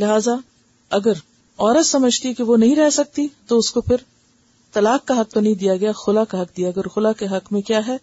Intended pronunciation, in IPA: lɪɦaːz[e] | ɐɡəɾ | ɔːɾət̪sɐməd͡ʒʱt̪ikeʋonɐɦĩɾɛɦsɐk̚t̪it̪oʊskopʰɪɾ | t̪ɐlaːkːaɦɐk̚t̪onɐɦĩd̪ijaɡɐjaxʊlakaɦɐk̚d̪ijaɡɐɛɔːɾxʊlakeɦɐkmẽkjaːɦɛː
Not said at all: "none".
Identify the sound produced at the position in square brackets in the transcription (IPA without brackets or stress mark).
a